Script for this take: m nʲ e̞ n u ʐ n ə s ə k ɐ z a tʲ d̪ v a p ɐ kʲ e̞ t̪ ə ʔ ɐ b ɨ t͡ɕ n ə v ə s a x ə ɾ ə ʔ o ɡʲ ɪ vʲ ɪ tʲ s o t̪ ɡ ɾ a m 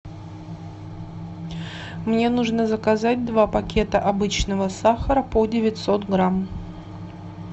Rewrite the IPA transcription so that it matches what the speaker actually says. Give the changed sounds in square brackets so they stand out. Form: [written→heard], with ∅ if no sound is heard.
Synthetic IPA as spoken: m nʲ e̞ n u ʐ n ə [s→z] ə k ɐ z a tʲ d̪ v a p ɐ kʲ e̞ t̪ ə ʔ ɐ b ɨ t͡ɕ n ə v ə s a x ə ɾ ə [ʔ→p] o [ɡʲ→dʲ] ɪ vʲ ɪ tʲ s o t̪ ɡ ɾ a m